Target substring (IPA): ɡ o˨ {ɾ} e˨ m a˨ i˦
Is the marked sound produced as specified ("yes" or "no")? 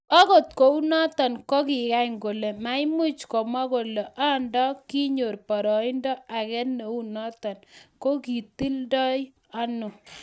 no